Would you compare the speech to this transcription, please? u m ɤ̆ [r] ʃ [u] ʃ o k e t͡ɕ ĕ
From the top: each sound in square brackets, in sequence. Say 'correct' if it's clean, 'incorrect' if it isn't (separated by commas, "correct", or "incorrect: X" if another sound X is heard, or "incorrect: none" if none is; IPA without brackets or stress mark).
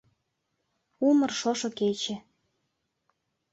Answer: correct, incorrect: o